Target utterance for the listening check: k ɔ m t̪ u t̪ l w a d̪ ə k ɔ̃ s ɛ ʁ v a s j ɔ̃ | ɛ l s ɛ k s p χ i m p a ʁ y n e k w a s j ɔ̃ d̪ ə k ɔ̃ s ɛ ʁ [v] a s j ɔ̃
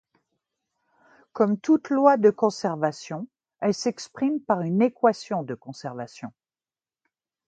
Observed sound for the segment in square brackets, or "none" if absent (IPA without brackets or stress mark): v